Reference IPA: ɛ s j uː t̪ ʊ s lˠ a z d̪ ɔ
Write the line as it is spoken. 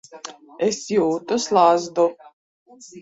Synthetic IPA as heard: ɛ s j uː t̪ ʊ s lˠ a z d̪ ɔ

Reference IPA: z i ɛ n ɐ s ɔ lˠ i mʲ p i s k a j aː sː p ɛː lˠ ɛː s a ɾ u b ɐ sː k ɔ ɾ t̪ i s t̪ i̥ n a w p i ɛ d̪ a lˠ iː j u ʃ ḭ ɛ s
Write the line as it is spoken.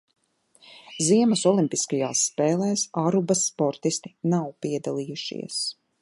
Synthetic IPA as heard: z i ɛ m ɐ s ɔ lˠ i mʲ p i s k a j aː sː p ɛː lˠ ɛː s a ɾ u b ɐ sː p ɔ ɾ t̪ i s t̪ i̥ n a w p i ɛ d̪ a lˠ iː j u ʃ ḭ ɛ s

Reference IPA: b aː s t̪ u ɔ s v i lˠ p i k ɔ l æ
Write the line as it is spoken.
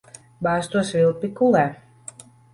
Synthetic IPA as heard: b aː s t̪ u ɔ s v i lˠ p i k u l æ

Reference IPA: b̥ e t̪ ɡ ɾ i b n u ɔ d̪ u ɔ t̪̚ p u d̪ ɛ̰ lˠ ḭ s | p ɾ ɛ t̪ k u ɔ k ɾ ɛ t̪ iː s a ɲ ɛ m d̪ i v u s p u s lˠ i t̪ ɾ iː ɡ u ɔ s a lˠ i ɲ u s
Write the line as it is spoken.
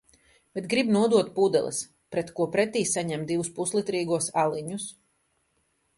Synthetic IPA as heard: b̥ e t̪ ɡ ɾ i b n u ɔ d̪ u ɔ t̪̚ p u d̪ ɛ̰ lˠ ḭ s | p ɾ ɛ t̪ k u ɔ p ɾ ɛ t̪ iː s a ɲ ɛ m d̪ i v u s p u s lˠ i t̪ ɾ iː ɡ u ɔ s a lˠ i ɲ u s

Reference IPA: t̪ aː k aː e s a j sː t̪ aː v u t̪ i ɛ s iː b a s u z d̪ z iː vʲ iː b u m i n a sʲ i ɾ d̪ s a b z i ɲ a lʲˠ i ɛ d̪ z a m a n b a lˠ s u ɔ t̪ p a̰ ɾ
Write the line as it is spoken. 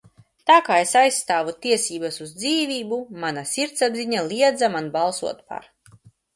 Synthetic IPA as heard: t̪ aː k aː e s a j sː t̪ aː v u t̪ i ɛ s iː b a s u z d̪ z iː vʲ iː b u m a n a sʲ i ɾ t̪ s a b z i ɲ a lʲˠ i ɛ d̪ z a m a n b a lˠ s u ɔ t̪ p a̰ ɾ

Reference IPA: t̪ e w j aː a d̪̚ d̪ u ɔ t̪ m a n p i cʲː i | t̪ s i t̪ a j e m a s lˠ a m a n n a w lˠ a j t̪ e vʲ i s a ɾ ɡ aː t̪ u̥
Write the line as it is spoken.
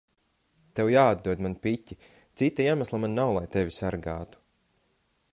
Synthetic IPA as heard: t̪ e w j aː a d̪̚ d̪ u ɔ d̪ m a n p i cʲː i | t̪ s i t̪ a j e m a s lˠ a m a n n a w lˠ a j t̪ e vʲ i s a ɾ ɡ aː t̪ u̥

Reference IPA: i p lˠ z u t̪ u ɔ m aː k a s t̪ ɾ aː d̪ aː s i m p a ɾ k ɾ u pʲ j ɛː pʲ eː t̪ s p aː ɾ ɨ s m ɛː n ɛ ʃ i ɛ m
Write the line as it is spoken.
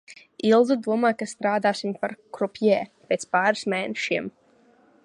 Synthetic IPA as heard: i lˠ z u d̪ u ɔ m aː k a s t̪ ɾ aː d̪ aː s i m p a ɾ k ɾ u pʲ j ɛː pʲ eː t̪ s p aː ɾ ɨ s m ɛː n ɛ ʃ i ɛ m

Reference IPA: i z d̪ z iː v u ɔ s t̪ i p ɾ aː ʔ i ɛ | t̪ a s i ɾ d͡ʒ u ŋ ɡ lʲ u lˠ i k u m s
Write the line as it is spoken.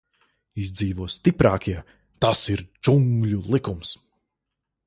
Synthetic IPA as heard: i z d̪ z iː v u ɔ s t̪ i p ɾ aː k i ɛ | t̪ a s i ɾ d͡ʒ u ŋ ɡ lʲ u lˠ i k u m s

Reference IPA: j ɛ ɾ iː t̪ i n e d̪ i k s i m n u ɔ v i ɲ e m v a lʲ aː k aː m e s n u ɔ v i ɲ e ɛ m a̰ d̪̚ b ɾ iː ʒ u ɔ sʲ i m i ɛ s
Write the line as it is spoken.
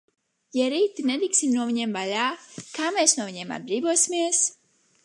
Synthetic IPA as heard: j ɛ ɾ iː t̪ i n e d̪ i k s i m n u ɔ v i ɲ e m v a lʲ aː k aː m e s n u ɔ v i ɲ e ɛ m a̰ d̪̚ b ɾ iː v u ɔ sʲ i m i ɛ s

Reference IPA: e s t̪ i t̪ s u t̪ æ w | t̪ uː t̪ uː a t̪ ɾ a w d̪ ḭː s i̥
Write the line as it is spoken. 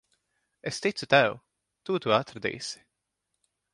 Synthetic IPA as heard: e s t̪ i t̪ s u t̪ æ w | t̪ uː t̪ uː a t̪ ɾ a d̪ ḭː s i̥

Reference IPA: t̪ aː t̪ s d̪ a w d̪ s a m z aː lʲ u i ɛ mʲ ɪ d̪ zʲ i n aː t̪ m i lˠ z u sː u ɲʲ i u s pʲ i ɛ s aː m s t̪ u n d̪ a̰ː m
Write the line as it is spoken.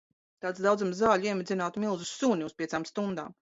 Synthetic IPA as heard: t̪ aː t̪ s d̪ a w d̪ z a m z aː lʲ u i ɛ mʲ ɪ d̪ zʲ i n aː t̪ m i lˠ z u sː u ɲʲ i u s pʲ i ɛ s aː m s t̪ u n d̪ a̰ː m

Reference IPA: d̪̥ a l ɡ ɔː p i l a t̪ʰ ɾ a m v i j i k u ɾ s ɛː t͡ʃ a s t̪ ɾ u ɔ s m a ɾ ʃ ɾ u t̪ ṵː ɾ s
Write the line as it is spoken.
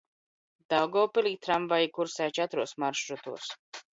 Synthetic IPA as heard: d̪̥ a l ɡ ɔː p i l i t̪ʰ ɾ a m v a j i k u ɾ s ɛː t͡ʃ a t̪ ɾ u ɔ s m a ɾ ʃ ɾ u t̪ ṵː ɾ s

